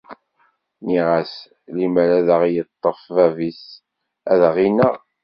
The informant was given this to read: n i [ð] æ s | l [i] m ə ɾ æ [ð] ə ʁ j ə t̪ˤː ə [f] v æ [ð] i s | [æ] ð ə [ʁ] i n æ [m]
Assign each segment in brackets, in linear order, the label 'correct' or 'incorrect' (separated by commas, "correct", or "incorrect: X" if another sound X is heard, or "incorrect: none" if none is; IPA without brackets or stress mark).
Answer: incorrect: ʁ, correct, correct, correct, incorrect: v, correct, correct, incorrect: none